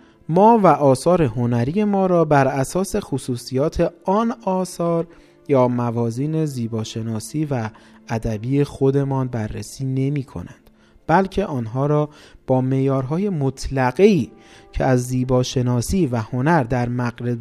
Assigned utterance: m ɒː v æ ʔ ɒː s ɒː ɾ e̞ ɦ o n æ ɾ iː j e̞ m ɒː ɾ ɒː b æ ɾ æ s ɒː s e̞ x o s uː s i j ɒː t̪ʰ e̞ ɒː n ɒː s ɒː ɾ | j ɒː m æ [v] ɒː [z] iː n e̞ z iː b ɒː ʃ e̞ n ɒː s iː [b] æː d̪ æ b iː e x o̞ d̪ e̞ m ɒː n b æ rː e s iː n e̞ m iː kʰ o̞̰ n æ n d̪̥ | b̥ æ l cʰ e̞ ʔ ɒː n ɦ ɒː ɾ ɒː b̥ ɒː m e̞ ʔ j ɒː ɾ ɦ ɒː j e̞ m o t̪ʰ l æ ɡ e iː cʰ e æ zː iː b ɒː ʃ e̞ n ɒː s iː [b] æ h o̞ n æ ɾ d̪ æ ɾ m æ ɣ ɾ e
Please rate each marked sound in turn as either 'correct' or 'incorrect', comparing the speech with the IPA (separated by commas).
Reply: correct, correct, incorrect, incorrect